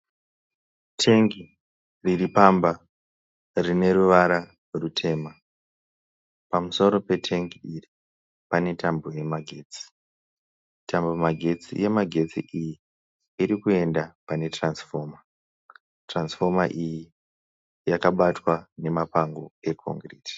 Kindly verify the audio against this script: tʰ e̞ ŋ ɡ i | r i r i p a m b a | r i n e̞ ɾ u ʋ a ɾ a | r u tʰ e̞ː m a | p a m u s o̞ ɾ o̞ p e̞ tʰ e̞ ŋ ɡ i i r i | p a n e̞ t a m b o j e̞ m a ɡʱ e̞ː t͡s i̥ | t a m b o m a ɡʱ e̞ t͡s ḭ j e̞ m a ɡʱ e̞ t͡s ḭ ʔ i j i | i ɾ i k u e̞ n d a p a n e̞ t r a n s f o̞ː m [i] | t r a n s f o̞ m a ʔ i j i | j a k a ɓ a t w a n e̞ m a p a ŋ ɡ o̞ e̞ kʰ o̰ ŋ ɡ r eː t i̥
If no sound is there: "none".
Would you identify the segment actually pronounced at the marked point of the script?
a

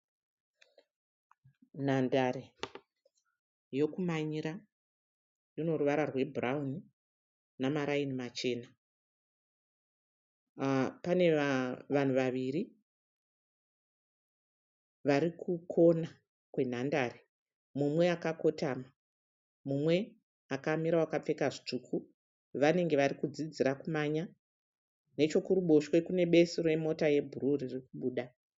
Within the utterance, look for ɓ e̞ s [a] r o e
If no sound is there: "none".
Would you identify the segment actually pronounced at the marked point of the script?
i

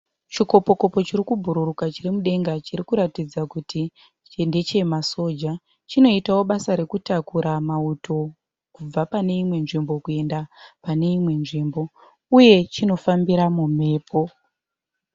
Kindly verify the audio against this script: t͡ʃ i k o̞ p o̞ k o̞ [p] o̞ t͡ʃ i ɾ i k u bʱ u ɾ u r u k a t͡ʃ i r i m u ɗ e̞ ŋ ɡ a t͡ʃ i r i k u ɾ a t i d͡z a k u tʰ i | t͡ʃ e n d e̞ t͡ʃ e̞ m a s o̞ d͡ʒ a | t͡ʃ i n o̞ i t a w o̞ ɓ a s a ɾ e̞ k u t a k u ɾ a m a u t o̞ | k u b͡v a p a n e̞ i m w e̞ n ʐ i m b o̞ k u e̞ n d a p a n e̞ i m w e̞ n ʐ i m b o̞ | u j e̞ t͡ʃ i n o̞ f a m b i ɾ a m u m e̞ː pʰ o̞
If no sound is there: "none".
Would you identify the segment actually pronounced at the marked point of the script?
p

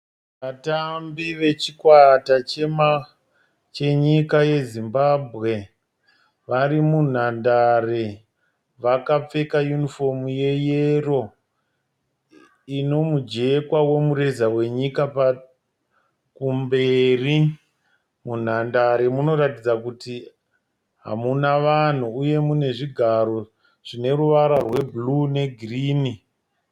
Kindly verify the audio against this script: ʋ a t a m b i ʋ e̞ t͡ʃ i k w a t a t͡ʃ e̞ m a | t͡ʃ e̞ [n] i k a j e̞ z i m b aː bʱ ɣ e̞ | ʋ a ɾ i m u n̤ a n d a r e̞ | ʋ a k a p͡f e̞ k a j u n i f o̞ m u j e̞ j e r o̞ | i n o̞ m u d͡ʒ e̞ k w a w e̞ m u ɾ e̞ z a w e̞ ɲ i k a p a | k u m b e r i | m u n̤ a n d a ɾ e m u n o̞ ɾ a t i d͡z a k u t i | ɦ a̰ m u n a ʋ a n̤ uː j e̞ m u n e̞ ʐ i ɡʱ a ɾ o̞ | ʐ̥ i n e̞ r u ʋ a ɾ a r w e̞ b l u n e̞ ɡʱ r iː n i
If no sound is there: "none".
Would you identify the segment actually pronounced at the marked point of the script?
ɲ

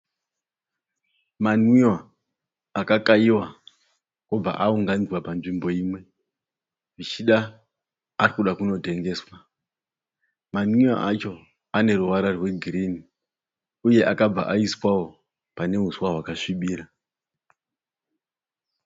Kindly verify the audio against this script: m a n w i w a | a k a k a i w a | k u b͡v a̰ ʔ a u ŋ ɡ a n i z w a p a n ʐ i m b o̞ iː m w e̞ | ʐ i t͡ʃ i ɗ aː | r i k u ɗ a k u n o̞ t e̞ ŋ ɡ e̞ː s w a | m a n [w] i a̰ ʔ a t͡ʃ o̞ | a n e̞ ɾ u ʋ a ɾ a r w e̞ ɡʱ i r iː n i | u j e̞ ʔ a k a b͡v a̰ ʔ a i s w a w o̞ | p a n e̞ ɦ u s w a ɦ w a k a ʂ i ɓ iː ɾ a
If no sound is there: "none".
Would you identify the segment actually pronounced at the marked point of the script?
w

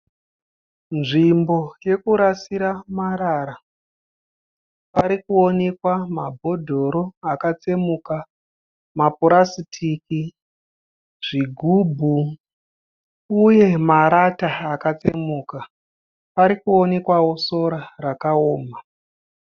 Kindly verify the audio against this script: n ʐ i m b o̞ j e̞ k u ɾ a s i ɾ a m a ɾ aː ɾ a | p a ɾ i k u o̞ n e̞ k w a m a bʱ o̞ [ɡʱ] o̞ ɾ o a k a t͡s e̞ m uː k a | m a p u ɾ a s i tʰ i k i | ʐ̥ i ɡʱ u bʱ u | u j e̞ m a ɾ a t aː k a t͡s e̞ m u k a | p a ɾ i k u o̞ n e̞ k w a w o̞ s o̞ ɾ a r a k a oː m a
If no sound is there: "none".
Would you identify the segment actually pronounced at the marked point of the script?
dʱ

